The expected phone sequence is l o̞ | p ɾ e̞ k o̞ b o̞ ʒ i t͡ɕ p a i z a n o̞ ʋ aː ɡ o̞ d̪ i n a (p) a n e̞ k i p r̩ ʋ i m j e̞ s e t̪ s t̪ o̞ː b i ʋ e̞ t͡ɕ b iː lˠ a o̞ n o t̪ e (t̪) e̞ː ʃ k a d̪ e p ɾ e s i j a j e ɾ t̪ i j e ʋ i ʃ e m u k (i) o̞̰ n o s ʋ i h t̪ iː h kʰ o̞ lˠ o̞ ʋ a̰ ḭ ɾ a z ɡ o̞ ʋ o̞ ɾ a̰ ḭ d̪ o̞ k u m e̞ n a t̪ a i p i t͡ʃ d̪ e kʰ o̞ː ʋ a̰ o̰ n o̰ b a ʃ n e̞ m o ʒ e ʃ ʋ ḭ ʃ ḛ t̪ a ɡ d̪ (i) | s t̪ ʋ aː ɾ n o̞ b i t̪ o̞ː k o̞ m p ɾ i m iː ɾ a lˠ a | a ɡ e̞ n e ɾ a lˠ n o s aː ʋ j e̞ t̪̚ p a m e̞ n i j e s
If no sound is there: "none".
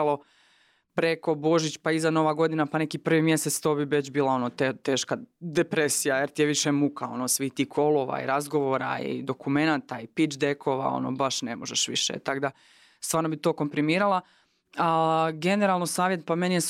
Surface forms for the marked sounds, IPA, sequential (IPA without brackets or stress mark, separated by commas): p, t̪, a, a